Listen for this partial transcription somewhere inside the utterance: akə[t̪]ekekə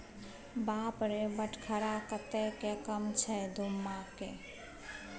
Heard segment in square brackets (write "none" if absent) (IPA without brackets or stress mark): t̪